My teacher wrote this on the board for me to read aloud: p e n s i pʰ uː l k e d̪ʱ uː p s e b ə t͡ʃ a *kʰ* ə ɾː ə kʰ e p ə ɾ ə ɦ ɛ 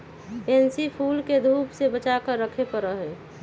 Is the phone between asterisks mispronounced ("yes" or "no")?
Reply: yes